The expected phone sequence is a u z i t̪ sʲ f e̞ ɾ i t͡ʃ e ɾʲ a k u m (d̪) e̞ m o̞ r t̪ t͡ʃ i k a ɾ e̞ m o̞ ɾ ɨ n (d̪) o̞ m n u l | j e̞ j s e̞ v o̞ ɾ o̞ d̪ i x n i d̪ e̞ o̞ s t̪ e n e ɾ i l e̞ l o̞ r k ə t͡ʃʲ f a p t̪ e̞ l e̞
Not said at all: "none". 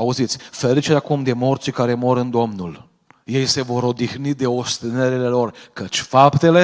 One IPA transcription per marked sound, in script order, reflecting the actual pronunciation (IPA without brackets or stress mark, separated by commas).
d̪, d̪